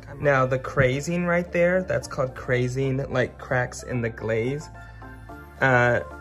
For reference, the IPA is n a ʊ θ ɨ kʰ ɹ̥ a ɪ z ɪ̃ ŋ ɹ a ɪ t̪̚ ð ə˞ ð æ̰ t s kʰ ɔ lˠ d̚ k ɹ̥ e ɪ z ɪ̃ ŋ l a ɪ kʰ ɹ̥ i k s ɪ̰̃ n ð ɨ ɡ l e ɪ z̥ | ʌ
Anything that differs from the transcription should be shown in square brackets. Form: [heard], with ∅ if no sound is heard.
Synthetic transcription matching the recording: n a ʊ [ð] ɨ kʰ ɹ̥ [e] ɪ z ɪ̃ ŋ ɹ a ɪ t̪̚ ð ə˞ ð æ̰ t s kʰ ɔ lˠ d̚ [kʰ] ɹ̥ e ɪ z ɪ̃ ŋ l a ɪ kʰ ɹ̥ [æ] k s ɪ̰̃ n ð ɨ ɡ l e ɪ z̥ | ʌ